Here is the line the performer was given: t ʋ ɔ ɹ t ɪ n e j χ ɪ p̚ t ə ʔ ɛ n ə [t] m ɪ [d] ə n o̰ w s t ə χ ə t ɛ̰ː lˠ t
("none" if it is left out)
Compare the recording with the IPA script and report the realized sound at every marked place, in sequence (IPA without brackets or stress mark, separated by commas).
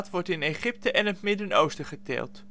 t, d